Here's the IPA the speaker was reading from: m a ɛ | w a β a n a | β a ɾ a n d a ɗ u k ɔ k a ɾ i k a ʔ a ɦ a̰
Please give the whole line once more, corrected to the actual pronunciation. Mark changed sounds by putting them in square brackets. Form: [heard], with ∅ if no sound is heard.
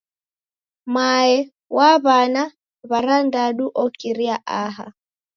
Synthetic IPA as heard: m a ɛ | w a β a n a | β a ɾ a n d a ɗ u [ʔ] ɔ k [i] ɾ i [∅] a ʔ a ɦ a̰